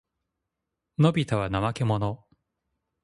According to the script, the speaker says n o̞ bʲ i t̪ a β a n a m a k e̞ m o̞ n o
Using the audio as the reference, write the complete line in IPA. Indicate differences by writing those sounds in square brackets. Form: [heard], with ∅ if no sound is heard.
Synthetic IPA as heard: n o̞ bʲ i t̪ a β a n a m a k e̞ m o̞ n o